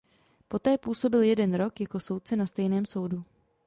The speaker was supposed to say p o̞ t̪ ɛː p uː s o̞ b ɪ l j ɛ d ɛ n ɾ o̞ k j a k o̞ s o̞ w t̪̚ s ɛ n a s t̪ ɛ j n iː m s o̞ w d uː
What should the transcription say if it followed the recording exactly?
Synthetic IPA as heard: p o̞ t̪ ɛː p uː s o̞ b ɪ l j ɛ d ɛ n ɾ o̞ k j a k o̞ s o̞ w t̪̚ t͡s ɛ n a s t̪ ɛ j n ɛː m s o̞ w d u